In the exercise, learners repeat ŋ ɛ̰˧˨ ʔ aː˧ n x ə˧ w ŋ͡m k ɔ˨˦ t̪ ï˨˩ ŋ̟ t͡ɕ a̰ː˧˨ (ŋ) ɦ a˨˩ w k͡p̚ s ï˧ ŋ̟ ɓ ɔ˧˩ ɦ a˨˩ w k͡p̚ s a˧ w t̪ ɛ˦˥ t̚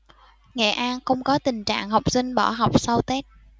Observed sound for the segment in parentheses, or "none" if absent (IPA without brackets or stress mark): ŋ